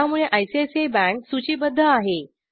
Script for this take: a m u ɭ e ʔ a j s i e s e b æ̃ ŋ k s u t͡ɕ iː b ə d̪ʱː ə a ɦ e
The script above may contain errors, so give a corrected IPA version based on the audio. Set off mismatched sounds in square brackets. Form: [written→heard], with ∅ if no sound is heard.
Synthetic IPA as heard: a m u ɭ e ʔ a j s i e s e b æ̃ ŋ k s u t͡ɕ iː b ə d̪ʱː ə a ɦ e